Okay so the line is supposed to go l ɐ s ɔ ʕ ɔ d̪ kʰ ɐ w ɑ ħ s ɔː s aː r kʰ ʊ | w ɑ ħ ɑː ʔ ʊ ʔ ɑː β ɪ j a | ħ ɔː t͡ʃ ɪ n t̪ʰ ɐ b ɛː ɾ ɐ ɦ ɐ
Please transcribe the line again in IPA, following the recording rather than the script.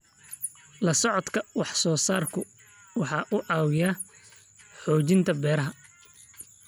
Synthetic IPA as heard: l ɐ s ɔ ʕ ɔ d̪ kʰ ɐ w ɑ ħ s ɔː s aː r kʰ ʊ | w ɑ ħ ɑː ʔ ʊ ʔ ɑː w ɪ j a | ħ ɔː t͡ʃ ɪ n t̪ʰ ɐ b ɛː ɾ ɐ ɦ ɐ